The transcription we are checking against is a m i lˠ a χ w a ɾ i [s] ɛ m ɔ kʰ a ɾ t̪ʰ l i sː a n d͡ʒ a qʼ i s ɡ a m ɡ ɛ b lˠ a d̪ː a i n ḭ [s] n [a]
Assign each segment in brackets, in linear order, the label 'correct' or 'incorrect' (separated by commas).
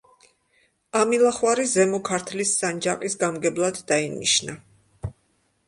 incorrect, incorrect, correct